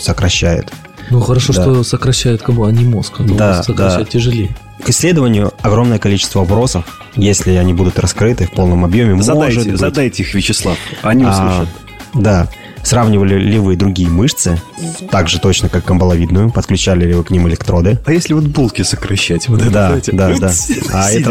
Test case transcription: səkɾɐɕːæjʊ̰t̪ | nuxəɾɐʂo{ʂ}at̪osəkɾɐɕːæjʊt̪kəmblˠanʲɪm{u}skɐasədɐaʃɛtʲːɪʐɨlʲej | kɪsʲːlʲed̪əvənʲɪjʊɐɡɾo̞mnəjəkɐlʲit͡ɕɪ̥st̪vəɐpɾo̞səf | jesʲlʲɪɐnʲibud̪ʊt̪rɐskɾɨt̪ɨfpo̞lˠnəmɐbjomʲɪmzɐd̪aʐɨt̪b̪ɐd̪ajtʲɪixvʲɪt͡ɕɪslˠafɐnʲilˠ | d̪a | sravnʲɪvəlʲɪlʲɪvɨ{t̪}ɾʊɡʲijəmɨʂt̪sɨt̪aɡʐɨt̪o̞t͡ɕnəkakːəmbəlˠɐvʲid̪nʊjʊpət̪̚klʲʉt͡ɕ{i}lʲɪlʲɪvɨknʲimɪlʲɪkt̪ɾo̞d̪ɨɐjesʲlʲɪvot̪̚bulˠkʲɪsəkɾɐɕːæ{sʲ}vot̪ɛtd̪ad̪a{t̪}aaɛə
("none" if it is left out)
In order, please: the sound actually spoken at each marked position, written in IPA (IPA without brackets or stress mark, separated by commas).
ʂ, o, d̪, æ, tʲ, d̪